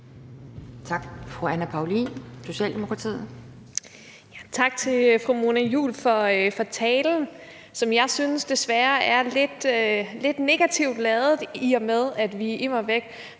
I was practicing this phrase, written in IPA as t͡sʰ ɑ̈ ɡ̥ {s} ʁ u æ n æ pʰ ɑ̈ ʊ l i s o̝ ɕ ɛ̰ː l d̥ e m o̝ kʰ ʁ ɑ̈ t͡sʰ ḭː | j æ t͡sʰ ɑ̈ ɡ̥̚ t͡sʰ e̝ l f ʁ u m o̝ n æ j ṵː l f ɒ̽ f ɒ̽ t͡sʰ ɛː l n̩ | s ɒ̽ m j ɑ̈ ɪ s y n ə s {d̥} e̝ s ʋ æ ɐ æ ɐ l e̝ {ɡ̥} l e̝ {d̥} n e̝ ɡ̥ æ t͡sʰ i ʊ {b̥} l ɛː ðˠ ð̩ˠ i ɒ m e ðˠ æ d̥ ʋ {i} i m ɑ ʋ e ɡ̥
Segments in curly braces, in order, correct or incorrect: incorrect: f, correct, incorrect: d̥, correct, incorrect: d̥, correct

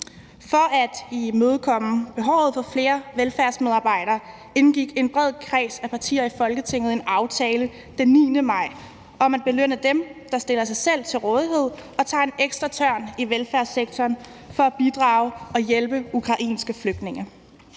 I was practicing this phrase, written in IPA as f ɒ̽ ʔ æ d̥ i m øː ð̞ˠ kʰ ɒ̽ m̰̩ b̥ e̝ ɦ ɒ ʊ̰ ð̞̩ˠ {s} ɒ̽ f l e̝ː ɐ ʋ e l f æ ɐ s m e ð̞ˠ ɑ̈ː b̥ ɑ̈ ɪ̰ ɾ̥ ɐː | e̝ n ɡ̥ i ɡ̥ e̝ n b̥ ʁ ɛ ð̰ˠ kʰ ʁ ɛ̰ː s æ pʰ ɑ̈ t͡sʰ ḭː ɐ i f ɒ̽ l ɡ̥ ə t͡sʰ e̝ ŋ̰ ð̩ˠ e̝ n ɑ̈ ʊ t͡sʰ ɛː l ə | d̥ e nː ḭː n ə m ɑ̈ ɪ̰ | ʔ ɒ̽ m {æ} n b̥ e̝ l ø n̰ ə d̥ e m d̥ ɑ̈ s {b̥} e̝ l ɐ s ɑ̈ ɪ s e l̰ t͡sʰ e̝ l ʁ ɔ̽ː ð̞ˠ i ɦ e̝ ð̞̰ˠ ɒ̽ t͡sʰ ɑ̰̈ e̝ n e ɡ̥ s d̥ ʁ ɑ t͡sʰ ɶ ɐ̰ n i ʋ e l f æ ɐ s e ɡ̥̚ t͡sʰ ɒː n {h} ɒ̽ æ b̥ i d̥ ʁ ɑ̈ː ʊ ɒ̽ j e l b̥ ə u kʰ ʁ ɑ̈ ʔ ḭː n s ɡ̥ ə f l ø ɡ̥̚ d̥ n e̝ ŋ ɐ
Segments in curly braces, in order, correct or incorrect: incorrect: f, correct, incorrect: d̥, incorrect: f

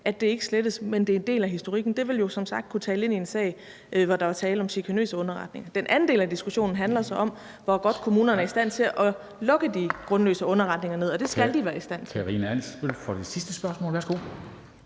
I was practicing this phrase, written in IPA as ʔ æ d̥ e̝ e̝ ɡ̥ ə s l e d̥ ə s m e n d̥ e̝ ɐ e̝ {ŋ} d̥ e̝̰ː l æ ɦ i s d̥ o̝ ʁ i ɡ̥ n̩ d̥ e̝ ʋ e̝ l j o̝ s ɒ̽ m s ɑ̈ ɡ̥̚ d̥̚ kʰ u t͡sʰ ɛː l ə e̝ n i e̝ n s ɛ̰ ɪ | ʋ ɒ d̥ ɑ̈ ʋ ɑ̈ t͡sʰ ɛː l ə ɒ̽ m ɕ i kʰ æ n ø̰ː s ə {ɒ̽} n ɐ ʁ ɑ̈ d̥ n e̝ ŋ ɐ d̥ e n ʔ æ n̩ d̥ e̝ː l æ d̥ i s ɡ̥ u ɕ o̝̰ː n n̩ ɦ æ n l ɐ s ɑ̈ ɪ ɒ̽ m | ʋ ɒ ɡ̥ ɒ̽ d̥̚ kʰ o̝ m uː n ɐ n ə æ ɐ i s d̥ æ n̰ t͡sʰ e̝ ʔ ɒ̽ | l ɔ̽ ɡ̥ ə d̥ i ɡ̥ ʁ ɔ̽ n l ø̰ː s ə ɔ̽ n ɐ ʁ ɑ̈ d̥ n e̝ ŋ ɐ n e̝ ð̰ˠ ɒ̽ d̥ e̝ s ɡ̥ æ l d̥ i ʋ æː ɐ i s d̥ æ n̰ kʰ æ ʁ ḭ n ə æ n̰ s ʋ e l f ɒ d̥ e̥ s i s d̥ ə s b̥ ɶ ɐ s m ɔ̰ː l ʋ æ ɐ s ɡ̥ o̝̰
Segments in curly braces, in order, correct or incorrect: incorrect: n, incorrect: ɔ̽

